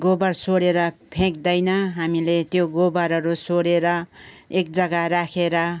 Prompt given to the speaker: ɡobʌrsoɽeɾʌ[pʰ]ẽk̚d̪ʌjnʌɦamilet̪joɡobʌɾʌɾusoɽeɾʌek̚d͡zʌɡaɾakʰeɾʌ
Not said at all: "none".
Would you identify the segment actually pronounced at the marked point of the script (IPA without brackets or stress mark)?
pʰ